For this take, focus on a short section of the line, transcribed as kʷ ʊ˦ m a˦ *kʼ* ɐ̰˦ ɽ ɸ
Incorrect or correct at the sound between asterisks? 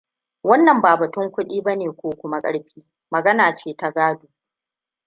correct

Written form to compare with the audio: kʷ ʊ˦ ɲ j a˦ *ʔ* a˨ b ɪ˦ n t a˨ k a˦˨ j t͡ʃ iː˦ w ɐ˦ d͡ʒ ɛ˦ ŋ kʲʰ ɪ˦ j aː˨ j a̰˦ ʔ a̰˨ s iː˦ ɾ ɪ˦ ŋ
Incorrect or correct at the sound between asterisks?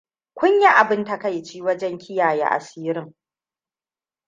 correct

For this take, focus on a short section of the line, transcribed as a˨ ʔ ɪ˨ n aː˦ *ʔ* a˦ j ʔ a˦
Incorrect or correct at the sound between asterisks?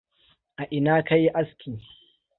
incorrect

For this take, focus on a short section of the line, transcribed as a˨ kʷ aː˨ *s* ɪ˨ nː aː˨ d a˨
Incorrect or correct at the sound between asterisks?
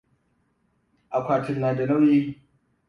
incorrect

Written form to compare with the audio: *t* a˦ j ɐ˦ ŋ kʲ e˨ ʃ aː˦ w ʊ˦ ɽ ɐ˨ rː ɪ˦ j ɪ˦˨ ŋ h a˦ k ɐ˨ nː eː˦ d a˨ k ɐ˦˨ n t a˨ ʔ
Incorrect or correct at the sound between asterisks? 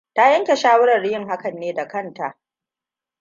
correct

